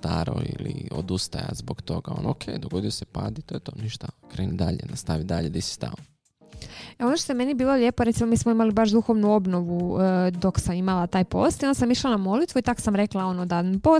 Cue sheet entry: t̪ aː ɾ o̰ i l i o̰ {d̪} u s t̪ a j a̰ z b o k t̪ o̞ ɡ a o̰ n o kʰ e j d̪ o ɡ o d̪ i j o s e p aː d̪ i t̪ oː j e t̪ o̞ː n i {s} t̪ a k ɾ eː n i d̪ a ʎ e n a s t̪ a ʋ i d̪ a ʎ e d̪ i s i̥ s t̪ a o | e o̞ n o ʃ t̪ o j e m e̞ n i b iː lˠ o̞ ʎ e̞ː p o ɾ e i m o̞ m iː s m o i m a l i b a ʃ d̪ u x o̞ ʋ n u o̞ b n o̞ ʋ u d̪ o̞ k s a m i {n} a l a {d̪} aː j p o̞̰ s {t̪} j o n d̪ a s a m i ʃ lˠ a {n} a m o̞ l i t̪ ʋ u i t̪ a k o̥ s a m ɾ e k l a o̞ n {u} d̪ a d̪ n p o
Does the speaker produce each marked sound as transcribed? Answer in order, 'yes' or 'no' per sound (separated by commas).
yes, no, no, no, yes, yes, no